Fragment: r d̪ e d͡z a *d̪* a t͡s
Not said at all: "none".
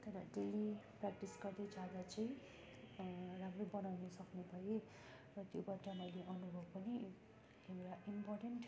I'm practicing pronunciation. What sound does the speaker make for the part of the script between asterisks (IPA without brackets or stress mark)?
d̪